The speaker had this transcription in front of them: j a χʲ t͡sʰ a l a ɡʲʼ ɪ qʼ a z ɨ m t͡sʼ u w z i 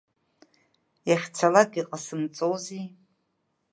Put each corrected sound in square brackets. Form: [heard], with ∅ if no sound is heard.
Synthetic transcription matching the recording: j a χʲ t͡sʰ a l a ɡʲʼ [i] qʼ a [s] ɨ m t͡sʼ [o] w z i